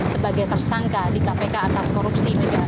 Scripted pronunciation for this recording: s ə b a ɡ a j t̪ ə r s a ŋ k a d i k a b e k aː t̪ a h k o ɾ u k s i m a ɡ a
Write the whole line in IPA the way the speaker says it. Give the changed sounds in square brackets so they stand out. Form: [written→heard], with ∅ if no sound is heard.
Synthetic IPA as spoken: s ə b a ɡ a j t̪ ə r s a ŋ k a d i k a [b→p] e k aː t̪ a [h→s] k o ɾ u [k→p] s i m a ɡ a